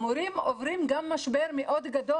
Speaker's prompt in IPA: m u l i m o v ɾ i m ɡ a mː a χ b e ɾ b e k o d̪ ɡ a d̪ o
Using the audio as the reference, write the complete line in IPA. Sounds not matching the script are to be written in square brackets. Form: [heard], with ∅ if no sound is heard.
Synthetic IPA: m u [ɾ] i m o v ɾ i m ɡ a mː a [ʃ] b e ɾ [m] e [ʔ] o d̪ ɡ a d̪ o